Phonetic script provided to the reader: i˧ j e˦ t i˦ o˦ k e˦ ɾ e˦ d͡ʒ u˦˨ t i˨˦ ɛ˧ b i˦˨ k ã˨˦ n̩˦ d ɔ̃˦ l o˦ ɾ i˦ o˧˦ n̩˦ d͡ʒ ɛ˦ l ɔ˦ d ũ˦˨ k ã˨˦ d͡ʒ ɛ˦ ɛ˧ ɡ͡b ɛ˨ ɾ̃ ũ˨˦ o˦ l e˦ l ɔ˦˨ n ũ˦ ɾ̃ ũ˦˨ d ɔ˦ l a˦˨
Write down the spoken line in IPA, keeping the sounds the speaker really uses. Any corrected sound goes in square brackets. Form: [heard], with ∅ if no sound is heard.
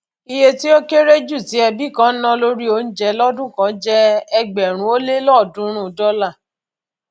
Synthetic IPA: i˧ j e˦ t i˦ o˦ k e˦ ɾ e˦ d͡ʒ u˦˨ t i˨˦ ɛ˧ b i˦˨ k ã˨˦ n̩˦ [n] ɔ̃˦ l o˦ ɾ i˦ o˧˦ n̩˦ d͡ʒ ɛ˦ l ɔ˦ d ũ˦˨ k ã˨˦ d͡ʒ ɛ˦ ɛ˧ ɡ͡b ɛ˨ ɾ̃ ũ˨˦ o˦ l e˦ l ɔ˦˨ [d] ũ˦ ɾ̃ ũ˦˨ d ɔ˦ l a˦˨